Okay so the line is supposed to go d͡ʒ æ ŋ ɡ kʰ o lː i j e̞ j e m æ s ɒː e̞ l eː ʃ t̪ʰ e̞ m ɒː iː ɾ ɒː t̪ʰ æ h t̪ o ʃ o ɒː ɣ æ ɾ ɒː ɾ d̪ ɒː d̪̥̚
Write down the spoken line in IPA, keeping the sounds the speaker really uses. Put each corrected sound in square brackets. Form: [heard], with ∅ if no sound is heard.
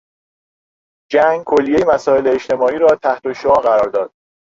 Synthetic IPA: d͡ʒ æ ŋ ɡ kʰ o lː i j e̞ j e m æ s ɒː e̞ l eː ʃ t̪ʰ e̞ m ɒː iː ɾ ɒː t̪ʰ æ h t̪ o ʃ o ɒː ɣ æ ɾ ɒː ɾ d̪ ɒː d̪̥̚